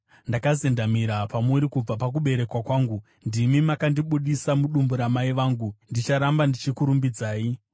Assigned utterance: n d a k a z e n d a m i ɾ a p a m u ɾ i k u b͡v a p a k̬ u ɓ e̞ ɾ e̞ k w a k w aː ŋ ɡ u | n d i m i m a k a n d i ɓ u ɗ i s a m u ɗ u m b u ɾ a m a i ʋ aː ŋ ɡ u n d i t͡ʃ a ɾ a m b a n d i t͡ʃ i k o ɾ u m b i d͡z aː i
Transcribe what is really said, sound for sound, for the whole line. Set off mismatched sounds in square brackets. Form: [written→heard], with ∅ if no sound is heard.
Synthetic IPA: n d a k a z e n d a m i ɾ a p a m u ɾ i k u b͡v a p a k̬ u ɓ e̞ ɾ e̞ k w a k w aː ŋ ɡ u | n d i m i m a k a n d i ɓ u ɗ i s a m u ɗ u m b u ɾ a m a i ʋ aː ŋ ɡ u n d i t͡ʃ a ɾ a m b a n d i t͡ʃ i k [o→u] ɾ u m b i d͡z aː i

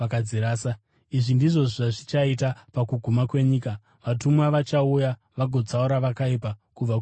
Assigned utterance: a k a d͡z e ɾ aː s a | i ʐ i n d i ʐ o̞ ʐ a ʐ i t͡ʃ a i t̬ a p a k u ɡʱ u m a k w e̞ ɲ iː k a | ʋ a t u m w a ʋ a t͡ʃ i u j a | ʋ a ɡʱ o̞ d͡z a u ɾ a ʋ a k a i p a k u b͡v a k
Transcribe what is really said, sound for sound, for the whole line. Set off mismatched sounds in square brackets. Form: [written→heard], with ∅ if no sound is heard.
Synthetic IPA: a k a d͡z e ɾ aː s a | i ʐ i n d i ʐ o̞ ʐ a ʐ i t͡ʃ a i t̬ a p a k u ɡʱ u m a k w e̞ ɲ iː k a | ʋ a t u m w a ʋ a t͡ʃ [i→a] u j a | ʋ a ɡʱ o̞ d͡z a u ɾ a ʋ a k a i p a k u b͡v a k

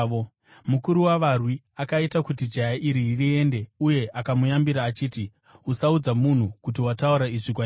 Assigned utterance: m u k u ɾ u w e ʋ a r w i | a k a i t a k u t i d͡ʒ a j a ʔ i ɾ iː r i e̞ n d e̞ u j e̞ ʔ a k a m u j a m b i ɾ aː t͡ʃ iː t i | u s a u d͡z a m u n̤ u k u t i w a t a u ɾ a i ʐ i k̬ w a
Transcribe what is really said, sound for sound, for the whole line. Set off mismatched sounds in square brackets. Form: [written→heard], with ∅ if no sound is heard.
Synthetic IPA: m u k u ɾ u w [e→a] ʋ a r w i | a k a i t a k u t i d͡ʒ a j a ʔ i ɾ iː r i e̞ n d e̞ u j e̞ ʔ a k a m u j a m b i ɾ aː t͡ʃ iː t i | u s a u d͡z a m u n̤ u k u t i w a t a u ɾ a i ʐ i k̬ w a

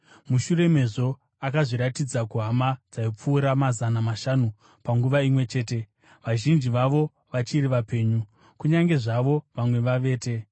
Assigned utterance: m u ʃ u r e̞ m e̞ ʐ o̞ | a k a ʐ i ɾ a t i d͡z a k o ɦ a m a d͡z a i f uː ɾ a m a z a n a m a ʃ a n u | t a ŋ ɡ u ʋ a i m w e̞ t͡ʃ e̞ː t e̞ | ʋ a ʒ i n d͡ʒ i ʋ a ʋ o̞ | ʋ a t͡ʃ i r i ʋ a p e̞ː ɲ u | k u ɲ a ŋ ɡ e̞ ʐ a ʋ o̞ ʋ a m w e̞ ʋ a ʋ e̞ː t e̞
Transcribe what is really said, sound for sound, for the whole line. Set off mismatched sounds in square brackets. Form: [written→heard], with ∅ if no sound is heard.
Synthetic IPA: m u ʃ u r e̞ m e̞ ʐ o̞ | a k a ʐ i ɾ a t i d͡z a k [o→u] ɦ a m a d͡z a i [f→p͡f] uː ɾ a m a z a n a m a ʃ a n u | [t→p] a ŋ ɡ u ʋ a i m w e̞ t͡ʃ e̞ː t e̞ | ʋ a ʒ i n d͡ʒ i ʋ a ʋ o̞ | ʋ a t͡ʃ i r i ʋ a p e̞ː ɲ u | k u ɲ a ŋ ɡ e̞ ʐ a ʋ o̞ ʋ a m w e̞ ʋ a ʋ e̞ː t e̞

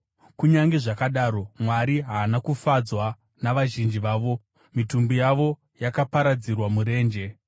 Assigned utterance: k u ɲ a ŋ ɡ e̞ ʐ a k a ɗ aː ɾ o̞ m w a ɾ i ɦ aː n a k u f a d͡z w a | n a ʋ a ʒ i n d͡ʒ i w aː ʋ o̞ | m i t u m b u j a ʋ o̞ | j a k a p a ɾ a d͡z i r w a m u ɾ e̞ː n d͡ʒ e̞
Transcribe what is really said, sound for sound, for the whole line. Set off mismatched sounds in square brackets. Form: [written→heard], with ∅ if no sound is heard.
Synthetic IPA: k u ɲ a ŋ ɡ e̞ ʐ a k a ɗ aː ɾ o̞ m w a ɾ i ɦ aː n a k u f a d͡z w a | n a ʋ a ʒ i n d͡ʒ i [w→ʋ] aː ʋ o̞ | m i t u m b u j a ʋ o̞ | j a k a p a ɾ a d͡z i r w a m u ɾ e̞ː n d͡ʒ e̞

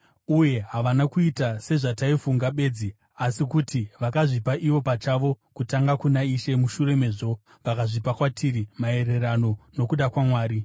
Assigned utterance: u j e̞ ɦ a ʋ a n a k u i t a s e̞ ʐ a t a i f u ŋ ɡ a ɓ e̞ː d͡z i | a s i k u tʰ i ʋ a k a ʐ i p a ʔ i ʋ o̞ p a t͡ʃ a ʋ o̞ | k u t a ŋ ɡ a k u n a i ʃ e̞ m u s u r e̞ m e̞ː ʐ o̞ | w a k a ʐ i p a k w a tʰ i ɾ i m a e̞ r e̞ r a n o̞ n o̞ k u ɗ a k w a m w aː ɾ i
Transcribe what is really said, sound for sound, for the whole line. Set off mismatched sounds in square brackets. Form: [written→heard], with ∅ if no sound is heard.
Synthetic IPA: u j e̞ ɦ a ʋ a n a k u i t a s e̞ ʐ a t a i f u ŋ ɡ a ɓ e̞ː d͡z i | a s i k u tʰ i ʋ a k a ʐ i p a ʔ i ʋ o̞ p a t͡ʃ a ʋ o̞ | k u t a ŋ ɡ a k u n a i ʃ e̞ m u [s→ʃ] u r e̞ m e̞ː ʐ o̞ | [w→ʋ] a k a ʐ i p a k w a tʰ i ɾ i m a e̞ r e̞ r a n o̞ n o̞ k u ɗ a k w a m w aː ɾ i

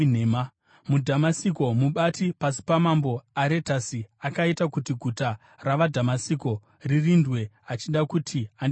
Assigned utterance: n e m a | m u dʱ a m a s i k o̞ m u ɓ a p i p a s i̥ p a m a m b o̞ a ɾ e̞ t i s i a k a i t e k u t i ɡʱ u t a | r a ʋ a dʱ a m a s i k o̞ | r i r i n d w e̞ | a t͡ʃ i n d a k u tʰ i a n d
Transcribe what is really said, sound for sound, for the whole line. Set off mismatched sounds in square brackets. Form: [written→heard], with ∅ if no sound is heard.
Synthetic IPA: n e m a | m u dʱ a m a s i k o̞ m u ɓ a [p→t] i p a s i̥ p a m a m b o̞ a ɾ e̞ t [i→a] s i a k a i t [e→a] k u t i ɡʱ u t a | r a ʋ a dʱ a m a s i k o̞ | r i r i n d w e̞ | a t͡ʃ i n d a k u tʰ i a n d

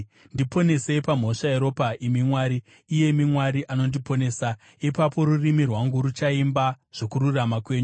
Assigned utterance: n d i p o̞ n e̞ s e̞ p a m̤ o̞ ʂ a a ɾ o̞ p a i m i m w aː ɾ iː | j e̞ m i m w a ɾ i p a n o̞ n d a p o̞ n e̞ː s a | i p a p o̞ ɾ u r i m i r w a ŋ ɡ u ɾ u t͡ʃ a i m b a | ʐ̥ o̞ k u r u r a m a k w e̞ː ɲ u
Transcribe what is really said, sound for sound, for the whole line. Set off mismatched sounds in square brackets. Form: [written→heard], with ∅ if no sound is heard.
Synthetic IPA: n d i p o̞ n e̞ s e̞ p a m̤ o̞ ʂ a [a→e] ɾ o̞ p a i m i m w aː ɾ iː | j e̞ m i m w a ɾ i [p→ʔ] a n o̞ n d [a→i] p o̞ n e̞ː s a | i p a p o̞ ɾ u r i m i r w a ŋ ɡ u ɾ u t͡ʃ a i m b a | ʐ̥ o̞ k u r u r a m a k w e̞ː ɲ u

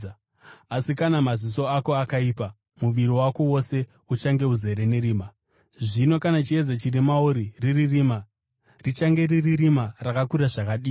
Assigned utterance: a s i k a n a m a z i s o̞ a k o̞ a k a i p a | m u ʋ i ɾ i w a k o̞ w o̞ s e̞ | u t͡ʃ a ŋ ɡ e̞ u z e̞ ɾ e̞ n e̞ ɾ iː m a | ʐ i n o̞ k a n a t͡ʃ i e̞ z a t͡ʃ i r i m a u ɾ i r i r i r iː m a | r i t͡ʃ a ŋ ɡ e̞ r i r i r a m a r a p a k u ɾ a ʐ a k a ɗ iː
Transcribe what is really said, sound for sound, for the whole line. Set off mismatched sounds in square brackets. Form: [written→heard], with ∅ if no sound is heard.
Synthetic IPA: a s i k a n a m a z i s o̞ a k o̞ a k a i p a | m u ʋ i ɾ i w a k o̞ w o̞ s e̞ | u t͡ʃ a ŋ ɡ e̞ u z e̞ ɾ e̞ n e̞ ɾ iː m a | ʐ i n o̞ k a n a t͡ʃ i e̞ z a t͡ʃ i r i m a u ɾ i r i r i r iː m a | r i t͡ʃ a ŋ ɡ e̞ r i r i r [a→i] m a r a [p→k] a k u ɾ a ʐ a k a ɗ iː

